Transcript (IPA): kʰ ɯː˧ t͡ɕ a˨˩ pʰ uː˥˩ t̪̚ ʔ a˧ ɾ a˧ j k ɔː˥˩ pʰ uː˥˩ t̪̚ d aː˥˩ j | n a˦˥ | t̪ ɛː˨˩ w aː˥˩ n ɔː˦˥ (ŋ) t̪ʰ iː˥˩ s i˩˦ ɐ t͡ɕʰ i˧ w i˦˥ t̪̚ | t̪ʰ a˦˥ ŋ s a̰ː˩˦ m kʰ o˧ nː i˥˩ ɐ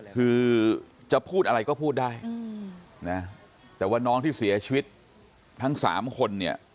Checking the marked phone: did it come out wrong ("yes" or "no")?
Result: no